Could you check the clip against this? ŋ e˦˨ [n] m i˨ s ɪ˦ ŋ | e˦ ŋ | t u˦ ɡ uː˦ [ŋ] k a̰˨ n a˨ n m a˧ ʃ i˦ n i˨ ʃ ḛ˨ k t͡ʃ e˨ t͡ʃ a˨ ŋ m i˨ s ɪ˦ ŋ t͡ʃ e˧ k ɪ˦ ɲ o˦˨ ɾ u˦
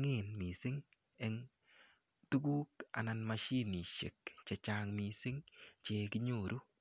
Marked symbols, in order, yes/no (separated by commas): yes, no